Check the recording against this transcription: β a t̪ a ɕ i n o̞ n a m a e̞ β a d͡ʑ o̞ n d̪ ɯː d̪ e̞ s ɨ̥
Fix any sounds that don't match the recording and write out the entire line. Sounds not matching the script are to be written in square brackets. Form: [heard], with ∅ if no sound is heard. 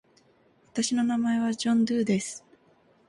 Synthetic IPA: β a t̪ a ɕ i n o̞ n a m a e̞ β a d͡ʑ [õ̞] n d̪ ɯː d̪ e̞ s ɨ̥